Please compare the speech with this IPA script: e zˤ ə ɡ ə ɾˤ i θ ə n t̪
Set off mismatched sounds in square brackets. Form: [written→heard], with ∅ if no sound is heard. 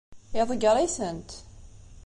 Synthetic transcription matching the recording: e [zˤ→ðˤ] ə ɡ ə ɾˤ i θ ə n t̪